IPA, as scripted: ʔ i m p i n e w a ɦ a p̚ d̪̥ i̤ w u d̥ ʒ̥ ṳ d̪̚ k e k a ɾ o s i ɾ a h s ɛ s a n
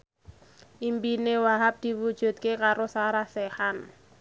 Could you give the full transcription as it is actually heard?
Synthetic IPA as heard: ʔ i m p i n e w a ɦ a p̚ d̪̥ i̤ w u d̥ ʒ̥ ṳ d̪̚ k e k a ɾ o s a ɾ a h s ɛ h a n